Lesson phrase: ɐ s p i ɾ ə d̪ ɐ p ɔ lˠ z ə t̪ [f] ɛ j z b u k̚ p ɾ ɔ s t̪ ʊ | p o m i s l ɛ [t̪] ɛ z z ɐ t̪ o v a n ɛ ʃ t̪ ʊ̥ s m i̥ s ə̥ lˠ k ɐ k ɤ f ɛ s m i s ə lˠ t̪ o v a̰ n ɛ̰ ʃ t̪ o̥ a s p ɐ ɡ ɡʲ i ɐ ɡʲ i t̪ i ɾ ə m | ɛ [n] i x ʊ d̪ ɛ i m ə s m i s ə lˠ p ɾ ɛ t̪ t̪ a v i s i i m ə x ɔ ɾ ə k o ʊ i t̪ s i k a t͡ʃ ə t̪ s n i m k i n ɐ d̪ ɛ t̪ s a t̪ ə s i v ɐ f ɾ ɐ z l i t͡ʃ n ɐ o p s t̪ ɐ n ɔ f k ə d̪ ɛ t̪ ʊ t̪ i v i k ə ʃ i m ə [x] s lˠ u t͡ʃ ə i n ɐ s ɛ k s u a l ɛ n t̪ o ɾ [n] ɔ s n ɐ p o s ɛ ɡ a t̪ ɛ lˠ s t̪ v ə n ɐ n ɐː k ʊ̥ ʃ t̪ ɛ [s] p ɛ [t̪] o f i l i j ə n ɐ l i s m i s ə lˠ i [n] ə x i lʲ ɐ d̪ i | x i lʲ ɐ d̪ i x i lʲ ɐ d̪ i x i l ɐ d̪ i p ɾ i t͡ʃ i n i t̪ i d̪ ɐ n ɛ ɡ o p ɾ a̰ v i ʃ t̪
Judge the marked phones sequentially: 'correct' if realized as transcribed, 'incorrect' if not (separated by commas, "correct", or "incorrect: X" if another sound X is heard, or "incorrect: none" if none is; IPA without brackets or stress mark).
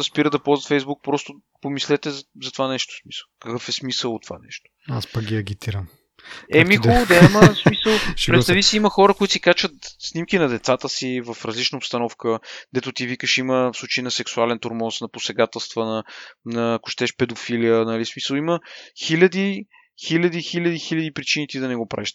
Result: correct, correct, incorrect: m, incorrect: f, incorrect: m, incorrect: ʃ, incorrect: d̪, incorrect: m